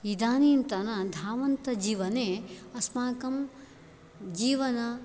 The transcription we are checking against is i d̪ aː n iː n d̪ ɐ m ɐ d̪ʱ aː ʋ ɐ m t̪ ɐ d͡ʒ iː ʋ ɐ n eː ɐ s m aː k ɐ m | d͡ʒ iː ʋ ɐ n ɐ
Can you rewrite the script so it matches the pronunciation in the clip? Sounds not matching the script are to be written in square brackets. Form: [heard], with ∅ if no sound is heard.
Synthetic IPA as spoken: i d̪ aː n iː n [t̪] ɐ [n] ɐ d̪ʱ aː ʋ ɐ [n] t̪ ɐ d͡ʒ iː ʋ ɐ n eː ɐ s m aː k ɐ m | d͡ʒ iː ʋ ɐ n ɐ